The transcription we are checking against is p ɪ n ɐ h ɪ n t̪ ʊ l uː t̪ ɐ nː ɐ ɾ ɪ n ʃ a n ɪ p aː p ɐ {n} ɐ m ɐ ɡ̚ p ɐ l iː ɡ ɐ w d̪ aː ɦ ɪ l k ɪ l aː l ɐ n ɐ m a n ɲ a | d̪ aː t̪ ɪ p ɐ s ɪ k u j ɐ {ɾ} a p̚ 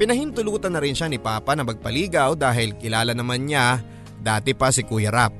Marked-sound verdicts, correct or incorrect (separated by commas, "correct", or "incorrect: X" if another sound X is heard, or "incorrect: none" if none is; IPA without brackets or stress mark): correct, correct